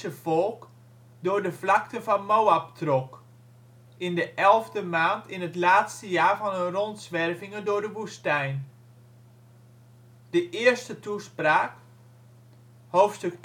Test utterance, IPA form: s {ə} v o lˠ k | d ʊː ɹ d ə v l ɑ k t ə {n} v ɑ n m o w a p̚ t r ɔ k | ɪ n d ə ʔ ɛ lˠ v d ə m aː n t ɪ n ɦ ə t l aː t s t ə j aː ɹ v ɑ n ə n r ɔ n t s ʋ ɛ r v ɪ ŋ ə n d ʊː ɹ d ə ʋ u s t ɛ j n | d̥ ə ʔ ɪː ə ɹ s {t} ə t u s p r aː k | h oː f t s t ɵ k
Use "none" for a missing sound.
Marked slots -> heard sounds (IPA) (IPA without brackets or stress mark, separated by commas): ə, n, t